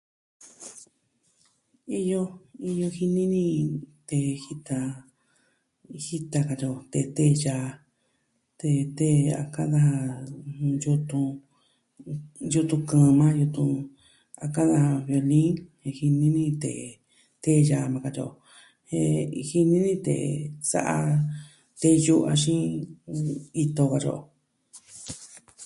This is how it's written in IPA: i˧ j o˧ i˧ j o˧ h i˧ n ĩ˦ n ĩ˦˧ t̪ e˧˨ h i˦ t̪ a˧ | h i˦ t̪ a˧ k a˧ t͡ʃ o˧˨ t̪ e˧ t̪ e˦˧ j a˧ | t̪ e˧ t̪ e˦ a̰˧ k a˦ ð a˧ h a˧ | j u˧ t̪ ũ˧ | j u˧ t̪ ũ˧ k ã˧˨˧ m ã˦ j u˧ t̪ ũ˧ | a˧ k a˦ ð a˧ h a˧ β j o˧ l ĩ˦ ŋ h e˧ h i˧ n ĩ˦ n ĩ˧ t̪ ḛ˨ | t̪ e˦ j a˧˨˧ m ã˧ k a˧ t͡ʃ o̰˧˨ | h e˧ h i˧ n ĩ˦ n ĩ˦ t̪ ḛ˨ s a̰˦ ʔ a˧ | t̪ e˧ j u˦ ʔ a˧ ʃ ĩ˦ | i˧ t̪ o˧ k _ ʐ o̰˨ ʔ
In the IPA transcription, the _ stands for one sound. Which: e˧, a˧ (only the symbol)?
a˧